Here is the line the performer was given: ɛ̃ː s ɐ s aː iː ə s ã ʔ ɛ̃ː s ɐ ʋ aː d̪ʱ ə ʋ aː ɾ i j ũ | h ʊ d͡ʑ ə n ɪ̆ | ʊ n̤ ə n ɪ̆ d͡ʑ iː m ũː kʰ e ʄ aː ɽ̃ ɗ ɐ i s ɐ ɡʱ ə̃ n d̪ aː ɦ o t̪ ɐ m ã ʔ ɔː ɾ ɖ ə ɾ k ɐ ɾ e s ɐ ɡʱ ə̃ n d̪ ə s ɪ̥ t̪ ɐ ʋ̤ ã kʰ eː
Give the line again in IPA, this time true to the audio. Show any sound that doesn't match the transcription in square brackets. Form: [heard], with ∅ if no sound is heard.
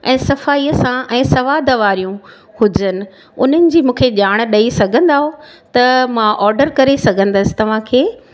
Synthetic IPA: ɛ̃ː s ɐ [f] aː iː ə s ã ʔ ɛ̃ː s ɐ ʋ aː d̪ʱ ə ʋ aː ɾ i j ũ | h ʊ d͡ʑ ə n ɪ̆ | ʊ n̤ ə n ɪ̆ d͡ʑ iː m ũː kʰ e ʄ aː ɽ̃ ɗ ɐ i s ɐ ɡʱ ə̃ n d̪ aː ɦ o t̪ ɐ m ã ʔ ɔː ɾ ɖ ə ɾ k ɐ ɾ e s ɐ ɡʱ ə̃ n d̪ ə s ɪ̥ t̪ ɐ ʋ̤ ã kʰ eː

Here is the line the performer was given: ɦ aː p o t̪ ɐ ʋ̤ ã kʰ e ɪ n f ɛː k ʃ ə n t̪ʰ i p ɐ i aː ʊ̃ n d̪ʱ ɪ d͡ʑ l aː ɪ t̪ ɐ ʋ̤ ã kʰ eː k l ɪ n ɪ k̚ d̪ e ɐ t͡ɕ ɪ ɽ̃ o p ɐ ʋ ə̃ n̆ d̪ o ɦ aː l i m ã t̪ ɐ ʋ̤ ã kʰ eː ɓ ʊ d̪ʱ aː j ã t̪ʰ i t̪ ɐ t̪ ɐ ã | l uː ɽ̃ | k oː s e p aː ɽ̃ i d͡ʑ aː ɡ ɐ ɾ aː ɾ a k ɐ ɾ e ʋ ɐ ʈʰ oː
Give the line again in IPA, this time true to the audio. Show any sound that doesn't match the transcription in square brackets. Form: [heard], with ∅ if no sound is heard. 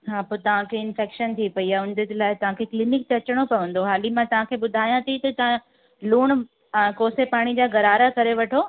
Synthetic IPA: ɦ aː p o t̪ ɐ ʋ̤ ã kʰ e ɪ n f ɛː k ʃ ə n t̪ʰ i p ɐ i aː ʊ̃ n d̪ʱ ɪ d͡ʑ l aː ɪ t̪ ɐ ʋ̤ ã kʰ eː k l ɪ n ɪ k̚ [t̪] e ɐ t͡ɕ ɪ ɽ̃ o p ɐ ʋ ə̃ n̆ d̪ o ɦ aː l i m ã t̪ ɐ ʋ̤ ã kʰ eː ɓ ʊ d̪ʱ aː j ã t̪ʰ i t̪ ɐ t̪ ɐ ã | l uː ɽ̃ | k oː s e p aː ɽ̃ i d͡ʑ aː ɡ ɐ ɾ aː ɾ a k ɐ ɾ e ʋ ɐ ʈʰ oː

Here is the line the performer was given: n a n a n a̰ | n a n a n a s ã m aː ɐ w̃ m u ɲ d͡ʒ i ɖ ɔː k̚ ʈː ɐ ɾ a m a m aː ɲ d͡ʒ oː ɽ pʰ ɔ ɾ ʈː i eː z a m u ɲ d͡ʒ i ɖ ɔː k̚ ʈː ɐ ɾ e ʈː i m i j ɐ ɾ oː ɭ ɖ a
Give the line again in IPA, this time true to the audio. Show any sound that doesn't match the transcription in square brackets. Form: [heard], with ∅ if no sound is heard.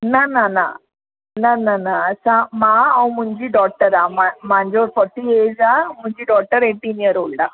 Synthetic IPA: n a n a n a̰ | n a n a n a s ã m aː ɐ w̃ m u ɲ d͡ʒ i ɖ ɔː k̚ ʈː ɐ ɾ a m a m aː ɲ d͡ʒ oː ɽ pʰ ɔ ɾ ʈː i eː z a m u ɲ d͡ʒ i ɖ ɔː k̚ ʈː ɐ ɾ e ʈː i [n] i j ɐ ɾ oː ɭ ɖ a

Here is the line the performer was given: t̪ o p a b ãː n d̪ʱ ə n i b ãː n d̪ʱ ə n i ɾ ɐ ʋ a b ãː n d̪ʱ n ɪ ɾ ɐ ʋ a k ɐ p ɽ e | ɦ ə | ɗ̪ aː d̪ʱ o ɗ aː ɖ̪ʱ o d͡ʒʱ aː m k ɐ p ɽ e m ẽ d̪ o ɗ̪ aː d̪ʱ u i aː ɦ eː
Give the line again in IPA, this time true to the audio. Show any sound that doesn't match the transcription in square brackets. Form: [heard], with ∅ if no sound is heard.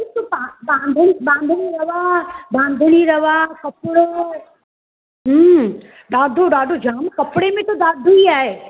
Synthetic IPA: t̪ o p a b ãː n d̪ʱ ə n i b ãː n d̪ʱ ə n i ɾ ɐ ʋ a b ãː n d̪ʱ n [i] ɾ ɐ ʋ a k ɐ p ɽ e | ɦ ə | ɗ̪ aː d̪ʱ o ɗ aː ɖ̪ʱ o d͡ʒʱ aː m k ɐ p ɽ e m ẽ [t̪] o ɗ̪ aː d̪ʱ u i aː ɦ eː

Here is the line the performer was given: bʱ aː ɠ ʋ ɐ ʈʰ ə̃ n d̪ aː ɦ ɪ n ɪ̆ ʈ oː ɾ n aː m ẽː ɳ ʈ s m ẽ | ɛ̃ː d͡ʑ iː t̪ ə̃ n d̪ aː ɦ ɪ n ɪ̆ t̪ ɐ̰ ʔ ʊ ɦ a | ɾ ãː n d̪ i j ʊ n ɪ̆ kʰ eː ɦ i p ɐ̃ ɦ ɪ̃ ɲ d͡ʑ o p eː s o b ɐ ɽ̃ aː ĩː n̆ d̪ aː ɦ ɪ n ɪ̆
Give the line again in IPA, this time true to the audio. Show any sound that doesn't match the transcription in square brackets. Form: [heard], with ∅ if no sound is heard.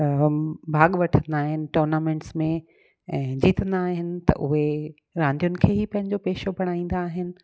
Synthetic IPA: bʱ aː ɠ ʋ ɐ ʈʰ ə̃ n d̪ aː ɦ ɪ n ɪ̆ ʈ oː ɾ n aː m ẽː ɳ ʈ s m ẽ | ɛ̃ː d͡ʑ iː t̪ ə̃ n d̪ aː ɦ ɪ n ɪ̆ t̪ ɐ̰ ʔ ʊ ɦ [e] | ɾ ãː n d̪ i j ʊ n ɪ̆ kʰ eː ɦ i p ɐ̃ ɦ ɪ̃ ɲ d͡ʑ o p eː [ʃ] o b ɐ ɽ̃ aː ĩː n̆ d̪ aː ɦ ɪ n ɪ̆

